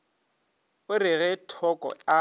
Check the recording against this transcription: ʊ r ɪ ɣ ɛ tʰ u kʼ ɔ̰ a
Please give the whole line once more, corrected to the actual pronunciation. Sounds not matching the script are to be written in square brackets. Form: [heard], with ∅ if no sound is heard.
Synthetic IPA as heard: ʊ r ɪ ɣ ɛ tʰ [ɔ] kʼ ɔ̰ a